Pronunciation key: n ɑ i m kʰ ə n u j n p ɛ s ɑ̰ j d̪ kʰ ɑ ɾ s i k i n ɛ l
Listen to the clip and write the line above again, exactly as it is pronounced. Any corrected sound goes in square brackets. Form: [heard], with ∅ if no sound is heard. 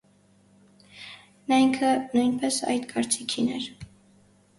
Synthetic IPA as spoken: n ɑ i [ŋ] kʰ ə n u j n p ɛ s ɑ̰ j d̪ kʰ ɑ ɾ [t͡s] i [kʰ] i n ɛ [ɾ]

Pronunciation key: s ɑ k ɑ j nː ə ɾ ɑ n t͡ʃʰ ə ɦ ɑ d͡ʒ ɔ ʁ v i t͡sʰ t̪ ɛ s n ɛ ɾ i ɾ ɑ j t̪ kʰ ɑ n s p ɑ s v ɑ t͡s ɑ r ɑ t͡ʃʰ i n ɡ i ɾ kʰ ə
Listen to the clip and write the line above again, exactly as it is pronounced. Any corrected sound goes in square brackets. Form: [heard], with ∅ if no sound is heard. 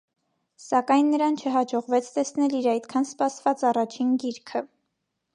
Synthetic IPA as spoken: s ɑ k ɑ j nː ə ɾ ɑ n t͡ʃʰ ə ɦ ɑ d͡ʒ ɔ ʁ v [ɛ] t͡sʰ t̪ ɛ s n ɛ [l] i ɾ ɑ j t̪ kʰ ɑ n s p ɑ s v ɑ t͡s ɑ r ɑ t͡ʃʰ i n ɡ i ɾ kʰ ə

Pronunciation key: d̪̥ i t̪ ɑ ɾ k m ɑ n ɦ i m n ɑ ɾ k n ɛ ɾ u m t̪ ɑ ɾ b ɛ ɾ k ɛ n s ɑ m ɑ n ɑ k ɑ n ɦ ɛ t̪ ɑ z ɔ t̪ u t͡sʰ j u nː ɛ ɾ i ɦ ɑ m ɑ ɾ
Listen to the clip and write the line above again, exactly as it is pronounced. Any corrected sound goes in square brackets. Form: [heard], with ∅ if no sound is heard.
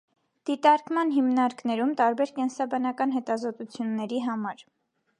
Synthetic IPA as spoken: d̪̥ i t̪ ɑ ɾ k m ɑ n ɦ i m n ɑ ɾ k n ɛ ɾ u m t̪ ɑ ɾ b ɛ ɾ k ɛ n s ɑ [b] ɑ n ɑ k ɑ n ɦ ɛ t̪ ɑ z ɔ t̪ u t͡sʰ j u nː ɛ ɾ i ɦ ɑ m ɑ ɾ

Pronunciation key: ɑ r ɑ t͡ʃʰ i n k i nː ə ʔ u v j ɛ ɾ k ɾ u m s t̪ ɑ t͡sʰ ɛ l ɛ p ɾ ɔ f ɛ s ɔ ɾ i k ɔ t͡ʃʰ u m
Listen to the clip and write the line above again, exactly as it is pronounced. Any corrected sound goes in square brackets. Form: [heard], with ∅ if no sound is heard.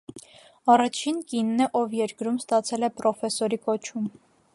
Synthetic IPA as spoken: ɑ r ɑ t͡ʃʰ i n k i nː ə ʔ [ɔ] v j ɛ ɾ k ɾ u m s t̪ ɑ t͡sʰ ɛ l ɛ p ɾ ɔ f ɛ s ɔ ɾ i k ɔ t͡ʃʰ u m

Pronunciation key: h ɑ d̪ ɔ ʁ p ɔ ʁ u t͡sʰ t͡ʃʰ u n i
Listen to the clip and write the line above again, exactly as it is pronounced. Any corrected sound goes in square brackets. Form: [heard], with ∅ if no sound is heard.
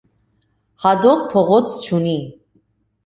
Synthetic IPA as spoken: h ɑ d̪ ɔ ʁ [pʰ] ɔ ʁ [ɔ] t͡sʰ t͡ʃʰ u n i

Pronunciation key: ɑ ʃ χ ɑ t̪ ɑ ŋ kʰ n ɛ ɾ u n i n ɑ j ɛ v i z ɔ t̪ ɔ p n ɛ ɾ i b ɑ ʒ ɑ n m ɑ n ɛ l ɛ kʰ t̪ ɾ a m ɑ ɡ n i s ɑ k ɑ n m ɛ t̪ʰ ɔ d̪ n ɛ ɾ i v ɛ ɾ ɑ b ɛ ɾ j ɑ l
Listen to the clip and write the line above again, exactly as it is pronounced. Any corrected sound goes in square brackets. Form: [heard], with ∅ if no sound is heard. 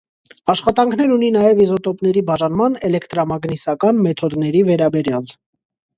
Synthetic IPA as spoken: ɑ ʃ χ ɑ t̪ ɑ ŋ kʰ n ɛ ɾ u n i n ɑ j ɛ v i z ɔ t̪ ɔ p n ɛ ɾ i b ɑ ʒ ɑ n m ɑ n ɛ l ɛ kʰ t̪ ɾ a m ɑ ɡ n i s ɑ k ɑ n m ɛ t̪ʰ ɔ d̪ n ɛ ɾ i v ɛ ɾ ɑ b ɛ ɾ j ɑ l

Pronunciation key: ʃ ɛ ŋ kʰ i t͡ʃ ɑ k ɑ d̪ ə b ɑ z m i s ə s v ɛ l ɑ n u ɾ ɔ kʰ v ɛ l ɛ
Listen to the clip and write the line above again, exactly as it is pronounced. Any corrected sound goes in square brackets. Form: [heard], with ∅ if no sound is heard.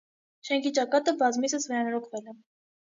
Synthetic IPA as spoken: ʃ ɛ ŋ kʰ i t͡ʃ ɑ k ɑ [t̪] ə b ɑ z m i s ə s v ɛ [ɾ] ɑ n [ɔ] ɾ ɔ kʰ v ɛ l ɛ

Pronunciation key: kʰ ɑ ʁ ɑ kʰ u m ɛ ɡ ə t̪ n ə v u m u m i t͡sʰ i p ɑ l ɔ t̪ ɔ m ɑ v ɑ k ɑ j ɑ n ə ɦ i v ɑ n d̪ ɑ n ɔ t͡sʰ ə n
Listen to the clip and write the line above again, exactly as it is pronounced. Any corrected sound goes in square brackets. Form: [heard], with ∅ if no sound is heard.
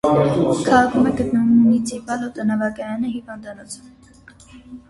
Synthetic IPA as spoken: kʰ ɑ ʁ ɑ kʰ u m ɛ ɡ ə t̪ n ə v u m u [n] i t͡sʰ i p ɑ l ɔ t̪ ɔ [n] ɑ v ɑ k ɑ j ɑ n ə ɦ i v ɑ n d̪ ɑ n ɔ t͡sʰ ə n

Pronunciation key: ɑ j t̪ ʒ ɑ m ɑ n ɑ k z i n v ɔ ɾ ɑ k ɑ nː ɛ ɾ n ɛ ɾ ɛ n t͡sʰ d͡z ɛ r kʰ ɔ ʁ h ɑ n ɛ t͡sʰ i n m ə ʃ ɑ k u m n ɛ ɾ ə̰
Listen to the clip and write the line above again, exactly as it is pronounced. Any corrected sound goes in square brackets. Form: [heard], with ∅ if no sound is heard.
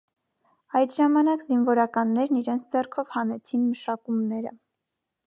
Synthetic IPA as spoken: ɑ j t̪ ʒ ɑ m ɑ n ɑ k z i n v ɔ ɾ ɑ k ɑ nː ɛ ɾ n [i] ɾ ɛ n t͡sʰ d͡z ɛ r kʰ ɔ [v] h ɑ n ɛ t͡sʰ i n m ə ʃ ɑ k u m n ɛ ɾ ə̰

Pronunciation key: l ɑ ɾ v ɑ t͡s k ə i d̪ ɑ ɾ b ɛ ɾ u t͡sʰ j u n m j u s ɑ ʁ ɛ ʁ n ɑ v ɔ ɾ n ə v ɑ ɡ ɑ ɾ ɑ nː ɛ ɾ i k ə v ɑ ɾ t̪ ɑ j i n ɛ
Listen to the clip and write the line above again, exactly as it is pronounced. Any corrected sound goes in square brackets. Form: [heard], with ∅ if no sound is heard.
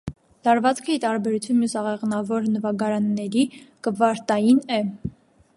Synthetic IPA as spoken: l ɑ ɾ v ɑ t͡s [kʰ] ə i [t̪] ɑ ɾ b ɛ ɾ u t͡sʰ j u n m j u s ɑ ʁ ɛ ʁ n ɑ v ɔ ɾ n ə v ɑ ɡ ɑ ɾ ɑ nː ɛ ɾ i k ə v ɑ ɾ t̪ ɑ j i n ɛ

